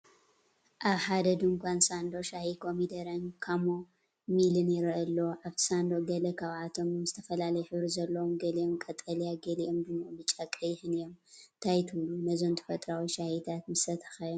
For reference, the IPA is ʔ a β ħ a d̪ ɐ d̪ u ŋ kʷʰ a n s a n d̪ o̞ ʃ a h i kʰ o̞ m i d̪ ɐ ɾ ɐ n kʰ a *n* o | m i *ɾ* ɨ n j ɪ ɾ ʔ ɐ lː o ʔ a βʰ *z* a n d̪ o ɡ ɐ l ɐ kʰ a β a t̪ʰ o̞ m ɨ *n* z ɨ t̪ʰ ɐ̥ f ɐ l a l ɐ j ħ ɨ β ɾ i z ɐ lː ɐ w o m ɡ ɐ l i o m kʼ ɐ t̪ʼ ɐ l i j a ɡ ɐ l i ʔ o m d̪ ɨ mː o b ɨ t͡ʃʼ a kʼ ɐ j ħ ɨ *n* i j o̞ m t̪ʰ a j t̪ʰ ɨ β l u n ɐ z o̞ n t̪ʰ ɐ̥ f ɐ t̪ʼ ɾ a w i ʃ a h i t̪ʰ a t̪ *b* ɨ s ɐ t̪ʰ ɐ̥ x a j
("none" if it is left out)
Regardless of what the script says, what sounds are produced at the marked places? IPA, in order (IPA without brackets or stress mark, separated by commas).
m, l, s, m, n, m